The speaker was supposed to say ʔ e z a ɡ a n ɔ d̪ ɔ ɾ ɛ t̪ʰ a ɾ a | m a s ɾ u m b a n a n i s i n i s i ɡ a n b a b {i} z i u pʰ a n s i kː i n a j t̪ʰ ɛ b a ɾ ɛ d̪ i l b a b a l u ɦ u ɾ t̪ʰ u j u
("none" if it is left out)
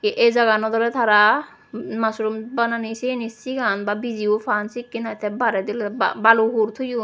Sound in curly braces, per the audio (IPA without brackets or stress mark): i